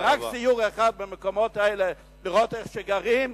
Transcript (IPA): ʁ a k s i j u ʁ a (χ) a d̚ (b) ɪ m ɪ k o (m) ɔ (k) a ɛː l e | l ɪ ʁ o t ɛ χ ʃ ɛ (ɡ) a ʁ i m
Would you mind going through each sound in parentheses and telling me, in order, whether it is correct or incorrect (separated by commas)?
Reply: correct, correct, correct, incorrect, correct